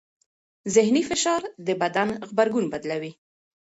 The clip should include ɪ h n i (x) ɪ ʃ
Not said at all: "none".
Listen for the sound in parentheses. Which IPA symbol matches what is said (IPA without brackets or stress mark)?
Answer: f